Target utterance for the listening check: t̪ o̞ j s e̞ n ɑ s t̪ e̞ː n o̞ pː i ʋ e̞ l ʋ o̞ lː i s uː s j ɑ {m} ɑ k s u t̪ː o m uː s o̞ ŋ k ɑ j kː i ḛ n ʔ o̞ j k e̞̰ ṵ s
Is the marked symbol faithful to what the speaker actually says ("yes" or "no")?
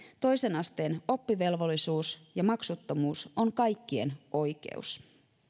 yes